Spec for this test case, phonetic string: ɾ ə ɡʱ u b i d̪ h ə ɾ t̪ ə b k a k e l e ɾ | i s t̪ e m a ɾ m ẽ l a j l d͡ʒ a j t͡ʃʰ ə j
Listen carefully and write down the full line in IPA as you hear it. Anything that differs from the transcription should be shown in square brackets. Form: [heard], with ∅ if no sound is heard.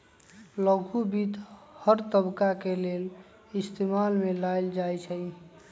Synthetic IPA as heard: [l] ə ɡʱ u b i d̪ h ə ɾ t̪ ə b k a k e l e [l] | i s t̪ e m a [l] m [e] l a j l d͡ʒ a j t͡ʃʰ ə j